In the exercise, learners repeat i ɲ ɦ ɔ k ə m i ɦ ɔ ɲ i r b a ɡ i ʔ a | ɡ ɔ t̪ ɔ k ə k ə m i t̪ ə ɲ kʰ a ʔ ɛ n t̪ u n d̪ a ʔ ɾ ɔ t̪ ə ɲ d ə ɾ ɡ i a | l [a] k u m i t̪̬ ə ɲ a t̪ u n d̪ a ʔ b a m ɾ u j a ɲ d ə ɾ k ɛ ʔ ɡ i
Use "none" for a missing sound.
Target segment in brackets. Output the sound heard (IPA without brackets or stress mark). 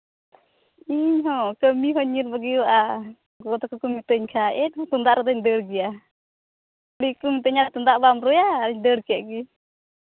i